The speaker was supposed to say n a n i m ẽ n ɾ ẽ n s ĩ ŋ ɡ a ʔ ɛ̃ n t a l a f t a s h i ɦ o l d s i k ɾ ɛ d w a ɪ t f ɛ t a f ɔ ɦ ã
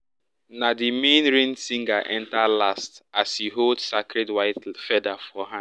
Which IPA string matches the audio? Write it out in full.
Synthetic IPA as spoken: n a d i m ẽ n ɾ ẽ n s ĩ ŋ ɡ a ʔ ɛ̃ n t a l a s t a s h i ɦ o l d s a k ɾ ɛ d w a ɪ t f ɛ d a f ɔ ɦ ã